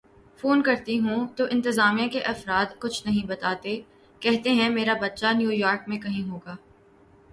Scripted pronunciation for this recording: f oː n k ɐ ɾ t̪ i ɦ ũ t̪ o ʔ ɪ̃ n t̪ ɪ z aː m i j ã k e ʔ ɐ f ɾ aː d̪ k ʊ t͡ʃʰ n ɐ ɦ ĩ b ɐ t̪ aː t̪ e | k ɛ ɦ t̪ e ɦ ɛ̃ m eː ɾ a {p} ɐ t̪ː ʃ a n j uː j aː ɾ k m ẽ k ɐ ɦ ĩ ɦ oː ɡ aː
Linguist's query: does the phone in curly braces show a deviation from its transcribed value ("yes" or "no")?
yes